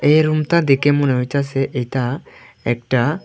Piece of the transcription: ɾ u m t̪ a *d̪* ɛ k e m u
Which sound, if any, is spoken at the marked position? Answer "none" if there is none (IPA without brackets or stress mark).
d̪